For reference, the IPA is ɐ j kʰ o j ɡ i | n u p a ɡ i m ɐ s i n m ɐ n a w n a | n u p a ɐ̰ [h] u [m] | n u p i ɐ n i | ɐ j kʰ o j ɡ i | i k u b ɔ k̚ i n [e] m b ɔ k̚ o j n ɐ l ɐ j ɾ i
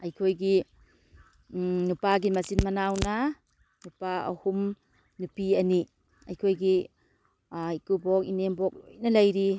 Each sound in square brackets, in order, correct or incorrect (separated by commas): correct, correct, correct